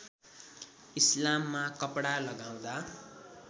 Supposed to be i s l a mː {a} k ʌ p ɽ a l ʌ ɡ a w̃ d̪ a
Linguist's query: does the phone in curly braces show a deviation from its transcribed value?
no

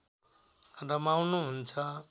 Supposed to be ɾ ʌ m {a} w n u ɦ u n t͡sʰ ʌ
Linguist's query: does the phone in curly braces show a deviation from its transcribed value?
no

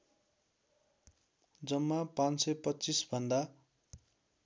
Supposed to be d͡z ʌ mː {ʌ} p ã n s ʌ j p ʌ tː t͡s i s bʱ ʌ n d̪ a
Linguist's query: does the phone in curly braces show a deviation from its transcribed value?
yes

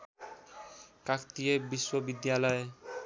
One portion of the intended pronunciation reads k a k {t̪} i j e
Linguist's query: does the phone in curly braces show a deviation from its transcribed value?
no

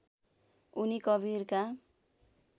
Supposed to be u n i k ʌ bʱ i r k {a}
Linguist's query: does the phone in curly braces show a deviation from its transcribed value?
no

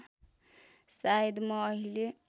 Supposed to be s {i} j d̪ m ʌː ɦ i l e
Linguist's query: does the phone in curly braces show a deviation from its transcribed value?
yes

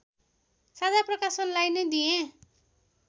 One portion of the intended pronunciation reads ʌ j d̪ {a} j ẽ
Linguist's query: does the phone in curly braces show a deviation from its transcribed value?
yes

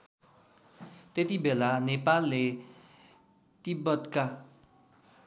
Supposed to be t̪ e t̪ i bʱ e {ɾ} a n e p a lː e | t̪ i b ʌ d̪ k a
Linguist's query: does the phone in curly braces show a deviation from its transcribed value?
yes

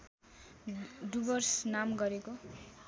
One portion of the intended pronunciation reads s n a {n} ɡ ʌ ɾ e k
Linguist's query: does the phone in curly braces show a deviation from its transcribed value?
yes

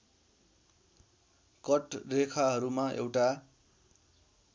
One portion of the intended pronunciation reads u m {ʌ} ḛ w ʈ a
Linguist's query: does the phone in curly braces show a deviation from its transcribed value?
yes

